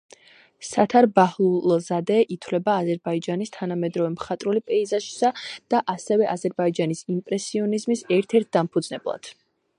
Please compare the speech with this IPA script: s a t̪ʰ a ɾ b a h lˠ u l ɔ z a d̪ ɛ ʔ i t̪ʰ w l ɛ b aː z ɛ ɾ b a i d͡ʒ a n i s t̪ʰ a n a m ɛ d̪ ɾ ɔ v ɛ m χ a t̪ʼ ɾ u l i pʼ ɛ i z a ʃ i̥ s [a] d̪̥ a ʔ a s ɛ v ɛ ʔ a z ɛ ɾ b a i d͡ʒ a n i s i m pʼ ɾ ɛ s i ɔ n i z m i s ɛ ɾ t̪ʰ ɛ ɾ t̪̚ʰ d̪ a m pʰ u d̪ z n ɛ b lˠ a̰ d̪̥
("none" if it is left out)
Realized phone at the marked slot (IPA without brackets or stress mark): a